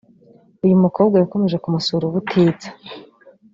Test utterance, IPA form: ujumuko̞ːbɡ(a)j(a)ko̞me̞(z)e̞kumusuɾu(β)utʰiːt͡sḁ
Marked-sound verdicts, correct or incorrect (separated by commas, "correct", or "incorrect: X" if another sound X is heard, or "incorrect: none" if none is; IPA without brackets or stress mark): correct, correct, incorrect: ʒ, correct